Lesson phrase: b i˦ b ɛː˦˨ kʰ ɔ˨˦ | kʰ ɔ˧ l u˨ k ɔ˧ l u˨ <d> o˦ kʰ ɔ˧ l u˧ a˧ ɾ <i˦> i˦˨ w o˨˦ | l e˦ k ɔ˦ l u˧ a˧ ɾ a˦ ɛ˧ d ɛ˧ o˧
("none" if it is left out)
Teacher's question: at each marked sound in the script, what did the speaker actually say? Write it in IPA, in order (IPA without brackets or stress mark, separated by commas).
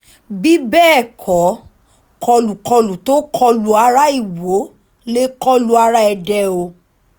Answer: t, a˦